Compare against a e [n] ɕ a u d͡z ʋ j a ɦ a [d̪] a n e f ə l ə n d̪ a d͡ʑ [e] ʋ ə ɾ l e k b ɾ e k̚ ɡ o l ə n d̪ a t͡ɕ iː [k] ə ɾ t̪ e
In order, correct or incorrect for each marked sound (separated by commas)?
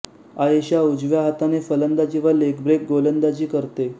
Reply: incorrect, incorrect, incorrect, correct